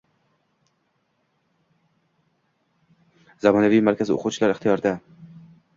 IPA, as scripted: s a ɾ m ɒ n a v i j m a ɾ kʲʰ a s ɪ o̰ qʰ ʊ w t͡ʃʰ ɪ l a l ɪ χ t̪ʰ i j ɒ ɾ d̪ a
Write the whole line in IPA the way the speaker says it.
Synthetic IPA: z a m ɒ n a v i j m a ɾ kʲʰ a z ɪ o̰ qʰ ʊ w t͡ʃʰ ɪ l a ɾ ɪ χ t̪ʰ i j ɒ ɾ d̪ a